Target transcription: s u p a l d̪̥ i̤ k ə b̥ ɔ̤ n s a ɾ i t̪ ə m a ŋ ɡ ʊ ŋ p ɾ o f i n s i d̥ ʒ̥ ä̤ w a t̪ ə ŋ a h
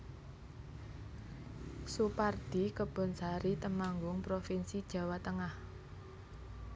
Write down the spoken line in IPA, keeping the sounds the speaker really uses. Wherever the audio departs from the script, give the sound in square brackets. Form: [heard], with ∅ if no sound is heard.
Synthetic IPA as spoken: s u p a [r] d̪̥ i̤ k ə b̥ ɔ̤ n s a ɾ i t̪ ə m a ŋ ɡ ʊ ŋ p ɾ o f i n s i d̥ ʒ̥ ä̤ w a t̪ ə ŋ a h